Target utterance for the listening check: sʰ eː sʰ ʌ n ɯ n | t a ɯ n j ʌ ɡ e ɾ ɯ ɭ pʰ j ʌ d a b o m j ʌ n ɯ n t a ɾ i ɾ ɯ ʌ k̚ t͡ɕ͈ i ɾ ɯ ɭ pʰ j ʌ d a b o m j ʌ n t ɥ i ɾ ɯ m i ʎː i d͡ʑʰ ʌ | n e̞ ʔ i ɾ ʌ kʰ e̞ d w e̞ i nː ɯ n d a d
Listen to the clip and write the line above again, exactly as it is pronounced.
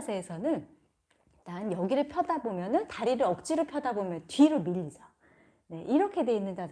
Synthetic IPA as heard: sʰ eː sʰ ʌ n ɯ n | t a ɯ n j ʌ ɡ i ɾ ɯ ɭ pʰ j ʌ d a b o m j ʌ n ɯ n t a ɾ i ɾ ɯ ʌ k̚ t͡ɕ͈ i ɾ ɯ ɭ pʰ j ʌ d a b o m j ʌ n t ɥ i ɾ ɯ m i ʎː i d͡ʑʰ ʌ | n e̞ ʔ i ɾ ʌ kʰ e̞ d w e̞ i nː ɯ n d a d